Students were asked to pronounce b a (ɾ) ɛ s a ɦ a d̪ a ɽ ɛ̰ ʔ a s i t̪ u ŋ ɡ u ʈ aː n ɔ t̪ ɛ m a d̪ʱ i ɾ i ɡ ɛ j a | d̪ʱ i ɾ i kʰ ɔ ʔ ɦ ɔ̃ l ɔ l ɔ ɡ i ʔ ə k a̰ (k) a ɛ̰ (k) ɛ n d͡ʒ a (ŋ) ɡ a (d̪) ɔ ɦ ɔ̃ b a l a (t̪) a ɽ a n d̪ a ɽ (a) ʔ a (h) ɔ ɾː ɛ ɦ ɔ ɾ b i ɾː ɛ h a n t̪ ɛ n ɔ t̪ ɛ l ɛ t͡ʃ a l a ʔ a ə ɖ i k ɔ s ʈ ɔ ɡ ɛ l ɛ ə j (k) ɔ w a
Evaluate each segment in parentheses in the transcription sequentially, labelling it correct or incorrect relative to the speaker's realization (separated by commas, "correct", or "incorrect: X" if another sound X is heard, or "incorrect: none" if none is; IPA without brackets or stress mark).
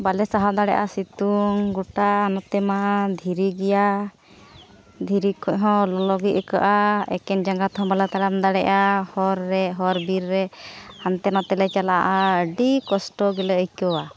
incorrect: l, incorrect: ʔ, correct, correct, incorrect: t̪, correct, incorrect: ɛ, correct, correct